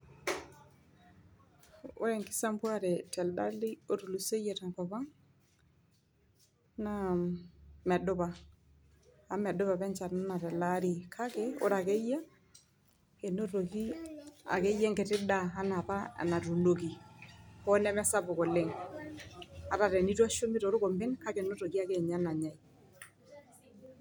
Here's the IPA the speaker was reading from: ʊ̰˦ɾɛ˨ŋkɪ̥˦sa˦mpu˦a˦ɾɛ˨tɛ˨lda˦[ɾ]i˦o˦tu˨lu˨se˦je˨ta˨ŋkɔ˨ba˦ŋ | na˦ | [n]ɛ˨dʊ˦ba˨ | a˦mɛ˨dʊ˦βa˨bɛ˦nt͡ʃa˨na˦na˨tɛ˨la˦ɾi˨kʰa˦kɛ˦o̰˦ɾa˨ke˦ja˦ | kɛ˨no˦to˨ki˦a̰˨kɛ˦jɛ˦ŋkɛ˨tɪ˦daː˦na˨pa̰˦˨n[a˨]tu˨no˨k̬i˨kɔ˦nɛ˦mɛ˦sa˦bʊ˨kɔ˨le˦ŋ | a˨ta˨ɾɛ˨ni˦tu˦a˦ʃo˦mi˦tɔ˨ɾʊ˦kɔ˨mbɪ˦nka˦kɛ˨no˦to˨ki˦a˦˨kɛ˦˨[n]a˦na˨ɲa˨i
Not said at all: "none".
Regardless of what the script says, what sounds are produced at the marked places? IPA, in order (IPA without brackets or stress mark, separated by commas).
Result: l, m, a˨, ɲ